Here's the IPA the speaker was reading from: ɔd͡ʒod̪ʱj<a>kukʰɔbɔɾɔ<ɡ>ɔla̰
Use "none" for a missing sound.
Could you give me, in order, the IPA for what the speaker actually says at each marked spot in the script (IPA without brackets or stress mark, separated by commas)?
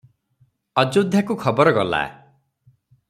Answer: a, ɡ